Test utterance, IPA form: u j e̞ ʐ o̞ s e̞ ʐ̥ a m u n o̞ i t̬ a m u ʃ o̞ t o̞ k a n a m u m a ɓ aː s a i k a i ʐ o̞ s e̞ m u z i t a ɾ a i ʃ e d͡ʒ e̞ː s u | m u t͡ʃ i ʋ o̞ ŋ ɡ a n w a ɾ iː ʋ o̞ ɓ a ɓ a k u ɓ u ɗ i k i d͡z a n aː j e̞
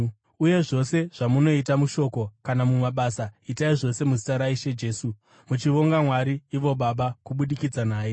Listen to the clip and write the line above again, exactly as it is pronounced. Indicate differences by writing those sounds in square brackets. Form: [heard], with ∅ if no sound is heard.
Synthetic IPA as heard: u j e̞ ʐ o̞ s e̞ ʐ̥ a m u n o̞ i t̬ a m u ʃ o̞ [k] o̞ k a n a m u m a ɓ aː s a i [t] a i ʐ o̞ s e̞ m u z i t a ɾ a i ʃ e d͡ʒ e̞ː s u | m u t͡ʃ i ʋ o̞ ŋ ɡ a [m] w a ɾ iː ʋ o̞ ɓ a ɓ a k u ɓ u ɗ i k i d͡z a n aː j e̞